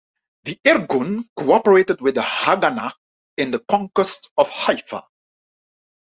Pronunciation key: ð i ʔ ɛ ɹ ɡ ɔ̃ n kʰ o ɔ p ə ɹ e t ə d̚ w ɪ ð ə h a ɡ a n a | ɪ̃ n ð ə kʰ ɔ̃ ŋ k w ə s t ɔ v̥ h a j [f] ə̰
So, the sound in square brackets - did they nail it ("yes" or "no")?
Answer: yes